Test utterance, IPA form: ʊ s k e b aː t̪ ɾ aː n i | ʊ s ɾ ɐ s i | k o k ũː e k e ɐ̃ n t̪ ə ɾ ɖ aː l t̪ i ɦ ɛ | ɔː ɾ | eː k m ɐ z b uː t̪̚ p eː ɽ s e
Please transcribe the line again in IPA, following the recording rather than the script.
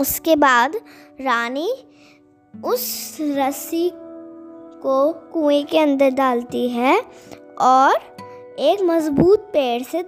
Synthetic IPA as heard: ʊ s k e b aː d̪ ɾ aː n i | ʊ s ɾ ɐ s i | k o k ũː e k e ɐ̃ n d̪ ə ɾ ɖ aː l t̪ i ɦ ɛ | ɔː ɾ | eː k m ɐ z b uː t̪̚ p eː ɽ s e